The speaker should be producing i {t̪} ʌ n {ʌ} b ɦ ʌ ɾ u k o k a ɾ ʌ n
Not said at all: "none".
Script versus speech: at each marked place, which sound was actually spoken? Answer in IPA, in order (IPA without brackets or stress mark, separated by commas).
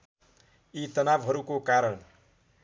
t̪, a